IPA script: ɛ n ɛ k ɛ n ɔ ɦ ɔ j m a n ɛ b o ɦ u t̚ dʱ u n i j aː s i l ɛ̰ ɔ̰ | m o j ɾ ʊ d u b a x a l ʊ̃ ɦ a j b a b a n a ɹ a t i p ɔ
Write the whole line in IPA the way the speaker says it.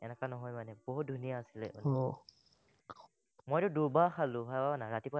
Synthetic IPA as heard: ɛ n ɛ k a n ɔ ɦ ɔ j m a n ɛ b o ɦ u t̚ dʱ u n i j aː s i l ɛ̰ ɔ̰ | m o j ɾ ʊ d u b a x a l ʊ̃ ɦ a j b a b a n a ɹ a t i p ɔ

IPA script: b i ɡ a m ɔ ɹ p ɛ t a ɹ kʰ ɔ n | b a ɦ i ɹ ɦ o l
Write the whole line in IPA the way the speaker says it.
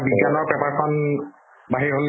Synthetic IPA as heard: b i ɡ a n ɔ ɹ p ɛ p a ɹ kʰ ɔ n | b a ɦ i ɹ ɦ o l

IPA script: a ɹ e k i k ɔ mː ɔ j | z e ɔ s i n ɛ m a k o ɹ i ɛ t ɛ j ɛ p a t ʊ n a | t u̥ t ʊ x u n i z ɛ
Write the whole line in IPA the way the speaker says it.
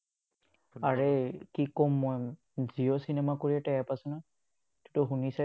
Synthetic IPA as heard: a ɹ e k i k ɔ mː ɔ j | z i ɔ s i n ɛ m a k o ɹ i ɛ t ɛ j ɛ p a s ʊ n a | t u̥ t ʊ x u n i s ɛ

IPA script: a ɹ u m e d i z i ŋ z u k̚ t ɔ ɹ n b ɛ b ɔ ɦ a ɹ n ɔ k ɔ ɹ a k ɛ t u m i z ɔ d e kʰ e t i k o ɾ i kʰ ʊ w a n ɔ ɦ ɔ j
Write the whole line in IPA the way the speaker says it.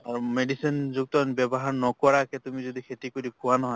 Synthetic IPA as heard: a ɹ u m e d i s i n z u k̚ t ɔ n b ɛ b ɔ ɦ a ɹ n ɔ k ɔ ɹ a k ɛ t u m i z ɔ d i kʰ e t i k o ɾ i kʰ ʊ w a n ɔ ɦ ɔ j

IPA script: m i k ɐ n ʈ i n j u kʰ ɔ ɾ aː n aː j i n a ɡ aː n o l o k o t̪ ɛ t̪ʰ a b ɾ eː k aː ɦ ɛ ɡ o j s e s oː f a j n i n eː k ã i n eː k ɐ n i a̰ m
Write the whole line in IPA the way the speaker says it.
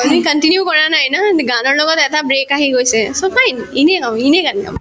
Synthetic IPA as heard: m i k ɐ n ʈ i n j u k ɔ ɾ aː n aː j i n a ɡ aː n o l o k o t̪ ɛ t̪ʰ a b ɾ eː k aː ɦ i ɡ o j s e s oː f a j n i n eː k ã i n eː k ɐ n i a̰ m

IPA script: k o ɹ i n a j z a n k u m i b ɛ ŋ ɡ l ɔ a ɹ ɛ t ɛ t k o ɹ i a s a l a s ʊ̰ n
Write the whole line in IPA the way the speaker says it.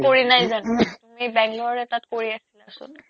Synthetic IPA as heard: k o ɹ i n a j z a n t u m i b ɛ ŋ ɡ l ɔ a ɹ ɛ t a t k o ɹ i a s i l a s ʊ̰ n

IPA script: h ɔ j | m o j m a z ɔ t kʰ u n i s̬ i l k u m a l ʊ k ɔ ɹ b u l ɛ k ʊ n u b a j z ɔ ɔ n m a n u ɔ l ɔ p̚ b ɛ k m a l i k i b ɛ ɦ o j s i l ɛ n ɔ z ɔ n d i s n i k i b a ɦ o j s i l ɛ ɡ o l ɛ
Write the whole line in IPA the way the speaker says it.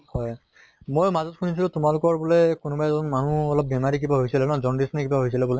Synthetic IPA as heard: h ɔ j | m o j m a z ɔ t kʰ u n i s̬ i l t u m a l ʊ k ɔ ɹ b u l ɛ k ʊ n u b a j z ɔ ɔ n m a n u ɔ l ɔ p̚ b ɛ m a ɹ i k i b a ɦ o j s i l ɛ n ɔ z ɔ n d i s n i k i b a ɦ o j s i l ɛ b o l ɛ

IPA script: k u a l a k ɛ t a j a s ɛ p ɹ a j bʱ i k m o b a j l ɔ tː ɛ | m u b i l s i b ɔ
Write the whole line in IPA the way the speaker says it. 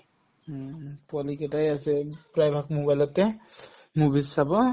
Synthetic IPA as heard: p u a l i k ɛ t a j a s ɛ p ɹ a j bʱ a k m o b a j l ɔ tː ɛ | m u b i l s a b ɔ

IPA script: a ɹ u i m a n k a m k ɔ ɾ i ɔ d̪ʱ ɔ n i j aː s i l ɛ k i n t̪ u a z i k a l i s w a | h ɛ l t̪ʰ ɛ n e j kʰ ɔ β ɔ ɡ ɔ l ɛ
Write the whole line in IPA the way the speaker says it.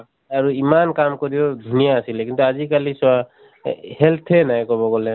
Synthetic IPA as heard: a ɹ u i m a n k a m k ɔ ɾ i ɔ d̪ʱ u n i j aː s i l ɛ k i n t̪ u a z i k a l i s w a | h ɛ l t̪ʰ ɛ n a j k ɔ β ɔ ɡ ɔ l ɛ

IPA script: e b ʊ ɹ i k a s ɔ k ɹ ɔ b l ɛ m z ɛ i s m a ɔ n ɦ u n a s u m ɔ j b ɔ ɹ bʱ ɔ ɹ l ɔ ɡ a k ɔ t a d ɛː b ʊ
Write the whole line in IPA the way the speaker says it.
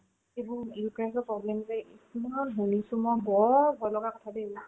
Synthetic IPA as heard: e b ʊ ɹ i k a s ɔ p ɹ ɔ b l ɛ m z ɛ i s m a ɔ n ɦ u n i s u m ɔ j b ɔ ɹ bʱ ɔ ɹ l ɔ ɡ a k ɔ tʰ a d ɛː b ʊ

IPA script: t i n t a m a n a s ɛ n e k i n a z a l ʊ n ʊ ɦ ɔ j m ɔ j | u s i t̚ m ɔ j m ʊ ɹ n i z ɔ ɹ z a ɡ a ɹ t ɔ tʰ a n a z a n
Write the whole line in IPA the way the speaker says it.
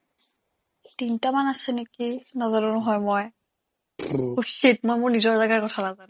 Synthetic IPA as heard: t i n t a m a n a s ɛ n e k i n a z a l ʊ n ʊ ɦ ɔ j m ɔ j | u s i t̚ m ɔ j m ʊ ɹ n i z ɔ ɹ z a ɡ a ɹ k ɔ tʰ a n a z a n

